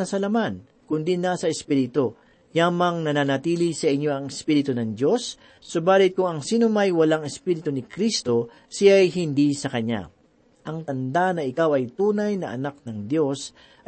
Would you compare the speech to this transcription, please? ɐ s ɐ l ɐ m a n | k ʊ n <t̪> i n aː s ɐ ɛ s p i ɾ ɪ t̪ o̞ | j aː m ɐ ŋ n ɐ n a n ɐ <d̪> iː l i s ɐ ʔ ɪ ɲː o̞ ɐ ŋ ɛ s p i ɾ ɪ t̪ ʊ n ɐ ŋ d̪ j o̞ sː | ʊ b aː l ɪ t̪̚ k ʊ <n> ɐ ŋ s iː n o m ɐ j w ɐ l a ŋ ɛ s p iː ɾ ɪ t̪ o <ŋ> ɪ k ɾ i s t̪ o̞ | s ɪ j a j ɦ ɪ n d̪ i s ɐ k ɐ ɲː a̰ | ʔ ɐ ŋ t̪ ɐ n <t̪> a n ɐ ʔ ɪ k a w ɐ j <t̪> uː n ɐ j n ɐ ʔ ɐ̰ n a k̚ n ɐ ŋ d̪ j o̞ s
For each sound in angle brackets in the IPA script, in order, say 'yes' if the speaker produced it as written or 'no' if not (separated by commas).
no, no, no, no, no, yes